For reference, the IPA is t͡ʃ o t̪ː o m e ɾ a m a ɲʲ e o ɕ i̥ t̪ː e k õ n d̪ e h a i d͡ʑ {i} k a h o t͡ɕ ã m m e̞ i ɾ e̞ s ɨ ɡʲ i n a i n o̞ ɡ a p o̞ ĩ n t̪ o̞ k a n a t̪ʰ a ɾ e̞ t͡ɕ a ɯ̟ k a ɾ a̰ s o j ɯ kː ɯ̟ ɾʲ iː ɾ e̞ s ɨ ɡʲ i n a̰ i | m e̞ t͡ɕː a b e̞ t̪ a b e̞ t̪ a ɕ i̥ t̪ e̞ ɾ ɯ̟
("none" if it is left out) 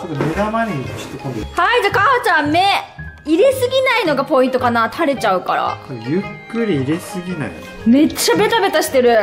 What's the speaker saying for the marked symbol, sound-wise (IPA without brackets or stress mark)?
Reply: a